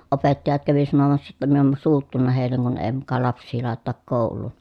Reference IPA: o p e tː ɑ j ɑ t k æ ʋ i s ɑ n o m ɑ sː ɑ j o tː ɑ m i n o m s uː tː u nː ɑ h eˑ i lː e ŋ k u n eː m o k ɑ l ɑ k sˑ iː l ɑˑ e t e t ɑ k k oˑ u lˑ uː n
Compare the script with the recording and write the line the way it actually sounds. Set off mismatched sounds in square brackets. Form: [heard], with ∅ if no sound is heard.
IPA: o p e tː ɑ j ɑ t k æ ʋ i s ɑ n o m ɑ sː ɑ j o tː ɑ m i n o m s uː tː u nː ɑ h eˑ i lː e ŋ k u n eː m [u] k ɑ l ɑ [p] sˑ iː l ɑˑ e t e t ɑ k k oˑ u lˑ uː n